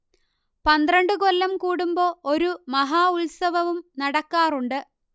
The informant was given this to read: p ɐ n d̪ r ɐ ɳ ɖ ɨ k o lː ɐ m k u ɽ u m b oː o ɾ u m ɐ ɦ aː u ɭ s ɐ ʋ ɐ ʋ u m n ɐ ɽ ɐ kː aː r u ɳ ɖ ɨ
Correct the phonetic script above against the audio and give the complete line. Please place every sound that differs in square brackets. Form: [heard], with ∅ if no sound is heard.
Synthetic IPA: p ɐ n d̪ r ɐ ɳ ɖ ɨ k o lː ɐ m k [uː] ɽ u m b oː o ɾ u m ɐ ɦ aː u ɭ s ɐ ʋ ɐ ʋ u m n ɐ ɽ ɐ kː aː r u ɳ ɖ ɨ